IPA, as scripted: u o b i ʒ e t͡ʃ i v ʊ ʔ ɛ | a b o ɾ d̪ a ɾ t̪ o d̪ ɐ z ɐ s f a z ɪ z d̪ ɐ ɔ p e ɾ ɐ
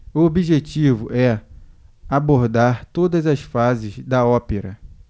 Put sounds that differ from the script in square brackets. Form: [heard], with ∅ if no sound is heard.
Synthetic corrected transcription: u o b i ʒ e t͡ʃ i v ʊ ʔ ɛ | a b o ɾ d̪ a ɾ t̪ o d̪ ɐ z ɐ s f a z ɪ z d̪ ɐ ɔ p e ɾ ɐ